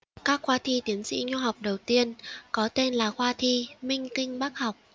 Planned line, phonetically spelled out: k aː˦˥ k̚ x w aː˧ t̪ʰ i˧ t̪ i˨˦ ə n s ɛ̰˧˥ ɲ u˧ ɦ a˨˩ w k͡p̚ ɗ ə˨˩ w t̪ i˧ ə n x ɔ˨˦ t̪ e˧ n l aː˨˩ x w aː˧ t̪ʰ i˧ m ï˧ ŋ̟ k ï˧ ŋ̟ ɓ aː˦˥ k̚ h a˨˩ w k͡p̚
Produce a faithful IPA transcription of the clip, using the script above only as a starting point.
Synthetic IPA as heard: k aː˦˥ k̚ x w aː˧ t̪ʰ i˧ t̪ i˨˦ ə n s ḭ˧˥ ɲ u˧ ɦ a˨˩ w k͡p̚ ɗ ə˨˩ w t̪ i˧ ə n k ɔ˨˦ t̪ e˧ n l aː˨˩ x w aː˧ t̪ʰ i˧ m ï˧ ŋ̟ k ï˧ ŋ̟ ɓ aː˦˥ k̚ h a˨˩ w k͡p̚